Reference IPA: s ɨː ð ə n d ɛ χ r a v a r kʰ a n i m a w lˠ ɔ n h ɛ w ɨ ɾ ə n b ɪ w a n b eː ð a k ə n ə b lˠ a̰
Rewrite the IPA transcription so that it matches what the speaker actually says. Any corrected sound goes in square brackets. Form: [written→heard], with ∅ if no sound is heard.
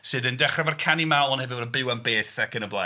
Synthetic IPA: s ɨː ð ə n d ɛ χ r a v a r kʰ a n i m a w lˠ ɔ n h ɛ [w→v] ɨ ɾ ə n b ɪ w a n b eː [ð→θ] a k ə n ə b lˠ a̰